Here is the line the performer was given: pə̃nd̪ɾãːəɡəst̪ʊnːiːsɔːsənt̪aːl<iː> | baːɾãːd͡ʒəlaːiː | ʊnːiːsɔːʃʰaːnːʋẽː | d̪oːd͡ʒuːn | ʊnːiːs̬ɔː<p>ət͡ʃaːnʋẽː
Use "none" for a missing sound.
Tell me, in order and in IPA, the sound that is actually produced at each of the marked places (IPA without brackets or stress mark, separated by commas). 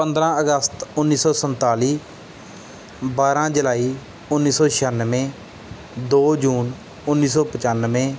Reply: iː, p